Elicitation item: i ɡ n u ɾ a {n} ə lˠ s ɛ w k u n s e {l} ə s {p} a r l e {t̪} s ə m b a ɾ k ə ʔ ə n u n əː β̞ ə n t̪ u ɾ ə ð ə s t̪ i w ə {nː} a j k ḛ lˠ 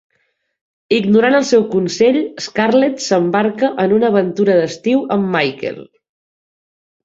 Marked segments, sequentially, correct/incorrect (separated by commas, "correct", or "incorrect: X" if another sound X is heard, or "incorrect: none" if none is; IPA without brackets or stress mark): correct, incorrect: ʎ, incorrect: k, correct, incorrect: mː